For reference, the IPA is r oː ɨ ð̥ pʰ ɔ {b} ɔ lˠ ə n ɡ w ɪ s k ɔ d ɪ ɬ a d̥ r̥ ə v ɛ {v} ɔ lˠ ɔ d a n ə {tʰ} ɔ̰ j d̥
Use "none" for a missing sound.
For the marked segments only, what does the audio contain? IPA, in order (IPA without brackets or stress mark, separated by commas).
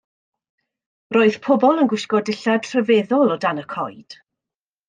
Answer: b, ð, kʰ